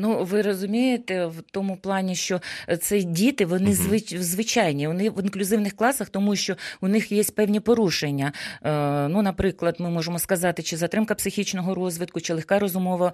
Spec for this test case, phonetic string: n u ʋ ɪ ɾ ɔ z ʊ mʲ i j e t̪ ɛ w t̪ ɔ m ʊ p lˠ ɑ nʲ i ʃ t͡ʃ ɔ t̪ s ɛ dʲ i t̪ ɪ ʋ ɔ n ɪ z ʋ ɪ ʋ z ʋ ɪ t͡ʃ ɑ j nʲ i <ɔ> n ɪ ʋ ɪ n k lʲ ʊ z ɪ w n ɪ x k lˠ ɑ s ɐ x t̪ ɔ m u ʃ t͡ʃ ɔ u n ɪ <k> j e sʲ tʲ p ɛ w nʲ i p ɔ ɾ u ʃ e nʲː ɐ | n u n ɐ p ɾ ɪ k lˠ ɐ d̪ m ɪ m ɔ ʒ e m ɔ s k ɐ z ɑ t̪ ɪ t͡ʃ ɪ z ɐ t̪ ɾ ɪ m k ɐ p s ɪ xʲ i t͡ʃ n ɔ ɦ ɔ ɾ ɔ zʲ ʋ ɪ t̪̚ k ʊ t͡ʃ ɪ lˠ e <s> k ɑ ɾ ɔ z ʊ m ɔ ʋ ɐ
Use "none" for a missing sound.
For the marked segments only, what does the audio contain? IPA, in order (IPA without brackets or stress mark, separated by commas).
ɔ, x, x